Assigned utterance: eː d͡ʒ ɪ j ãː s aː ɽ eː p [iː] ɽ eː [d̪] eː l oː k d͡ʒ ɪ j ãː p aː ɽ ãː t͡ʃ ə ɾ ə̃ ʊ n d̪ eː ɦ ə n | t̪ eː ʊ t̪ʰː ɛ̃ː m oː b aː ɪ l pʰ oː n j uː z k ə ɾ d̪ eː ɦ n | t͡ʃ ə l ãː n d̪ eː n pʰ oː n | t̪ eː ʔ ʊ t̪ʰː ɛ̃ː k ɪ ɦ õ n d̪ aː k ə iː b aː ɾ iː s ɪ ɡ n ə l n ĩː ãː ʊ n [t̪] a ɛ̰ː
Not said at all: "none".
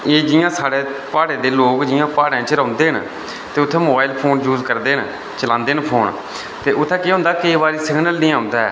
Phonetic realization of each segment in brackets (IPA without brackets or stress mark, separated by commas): aː, d̪, d̪